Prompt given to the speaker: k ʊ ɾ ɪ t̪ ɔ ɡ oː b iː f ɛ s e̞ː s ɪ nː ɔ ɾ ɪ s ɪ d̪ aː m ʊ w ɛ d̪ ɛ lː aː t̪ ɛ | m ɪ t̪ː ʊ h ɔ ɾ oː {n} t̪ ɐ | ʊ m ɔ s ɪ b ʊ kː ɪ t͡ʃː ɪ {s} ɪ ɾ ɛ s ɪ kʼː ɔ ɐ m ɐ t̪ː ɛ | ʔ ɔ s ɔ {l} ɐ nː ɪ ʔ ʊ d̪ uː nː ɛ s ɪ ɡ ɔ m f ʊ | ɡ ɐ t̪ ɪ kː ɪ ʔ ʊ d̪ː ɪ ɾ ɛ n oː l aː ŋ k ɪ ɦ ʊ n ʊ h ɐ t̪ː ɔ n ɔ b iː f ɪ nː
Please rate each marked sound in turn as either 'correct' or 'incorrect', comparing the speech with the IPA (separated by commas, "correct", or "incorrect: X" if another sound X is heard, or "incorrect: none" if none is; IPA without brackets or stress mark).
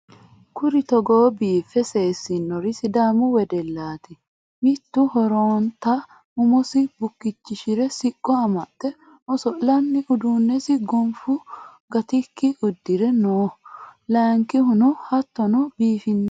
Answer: correct, incorrect: ʃ, correct